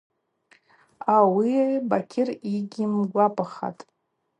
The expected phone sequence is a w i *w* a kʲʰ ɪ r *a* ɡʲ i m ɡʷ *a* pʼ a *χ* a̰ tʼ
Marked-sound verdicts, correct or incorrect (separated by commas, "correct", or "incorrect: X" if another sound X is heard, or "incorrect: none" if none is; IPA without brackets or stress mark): incorrect: b, incorrect: i, correct, correct